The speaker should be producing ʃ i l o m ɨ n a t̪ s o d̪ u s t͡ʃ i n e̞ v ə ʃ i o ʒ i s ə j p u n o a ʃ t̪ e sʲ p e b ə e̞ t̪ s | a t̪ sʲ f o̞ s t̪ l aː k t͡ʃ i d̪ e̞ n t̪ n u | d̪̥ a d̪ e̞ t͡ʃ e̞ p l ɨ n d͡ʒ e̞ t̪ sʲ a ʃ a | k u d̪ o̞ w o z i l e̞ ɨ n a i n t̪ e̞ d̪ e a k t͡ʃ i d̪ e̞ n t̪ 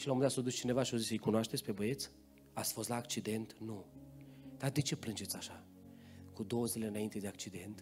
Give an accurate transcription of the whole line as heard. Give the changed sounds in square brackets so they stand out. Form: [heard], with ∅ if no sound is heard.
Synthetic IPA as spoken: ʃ i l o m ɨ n a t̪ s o d̪ u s t͡ʃ i n e̞ v [a] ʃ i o [z] i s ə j [k] u n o a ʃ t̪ e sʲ p e b ə e̞ t̪ s | a t̪ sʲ f o̞ s t̪ l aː k t͡ʃ i d̪ e̞ n t̪ n u | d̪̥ a d̪ e̞ t͡ʃ e̞ p l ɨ n d͡ʒ e̞ t̪ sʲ a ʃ a | k u d̪ o̞ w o z i l e̞ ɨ n a i n t̪ e̞ d̪ e a k t͡ʃ i d̪ e̞ n t̪